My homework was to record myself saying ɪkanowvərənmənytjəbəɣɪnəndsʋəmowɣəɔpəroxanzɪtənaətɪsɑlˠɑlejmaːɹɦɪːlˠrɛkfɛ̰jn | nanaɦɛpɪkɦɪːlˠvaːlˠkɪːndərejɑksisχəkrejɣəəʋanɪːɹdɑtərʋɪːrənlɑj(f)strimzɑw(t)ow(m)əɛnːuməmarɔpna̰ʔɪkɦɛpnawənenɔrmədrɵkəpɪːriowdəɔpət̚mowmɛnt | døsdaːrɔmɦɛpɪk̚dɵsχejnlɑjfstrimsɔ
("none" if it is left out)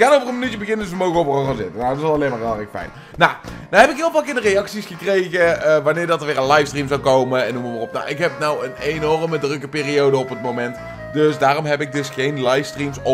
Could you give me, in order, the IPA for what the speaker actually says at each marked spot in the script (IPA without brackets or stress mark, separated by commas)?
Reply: f, k, m